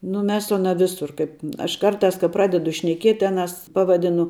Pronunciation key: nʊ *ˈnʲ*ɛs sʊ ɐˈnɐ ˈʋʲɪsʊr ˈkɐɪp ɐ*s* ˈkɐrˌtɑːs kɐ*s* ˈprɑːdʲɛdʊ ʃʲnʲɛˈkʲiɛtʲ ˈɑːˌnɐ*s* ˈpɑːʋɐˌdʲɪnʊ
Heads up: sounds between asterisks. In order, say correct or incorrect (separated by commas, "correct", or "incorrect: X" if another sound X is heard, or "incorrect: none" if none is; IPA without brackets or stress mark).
incorrect: mʲ, incorrect: ʃ, incorrect: none, correct